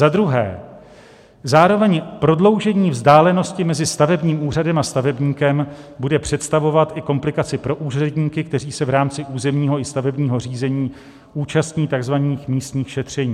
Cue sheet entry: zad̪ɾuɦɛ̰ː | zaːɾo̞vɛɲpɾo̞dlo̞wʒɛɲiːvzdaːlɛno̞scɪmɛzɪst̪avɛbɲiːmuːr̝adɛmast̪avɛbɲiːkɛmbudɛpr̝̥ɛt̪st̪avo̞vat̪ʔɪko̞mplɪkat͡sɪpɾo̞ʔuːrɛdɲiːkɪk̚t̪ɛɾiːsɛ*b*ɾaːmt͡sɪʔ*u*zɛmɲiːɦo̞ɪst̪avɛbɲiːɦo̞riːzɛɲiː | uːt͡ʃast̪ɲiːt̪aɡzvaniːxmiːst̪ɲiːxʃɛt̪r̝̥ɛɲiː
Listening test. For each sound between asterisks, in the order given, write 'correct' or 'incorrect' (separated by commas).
incorrect, incorrect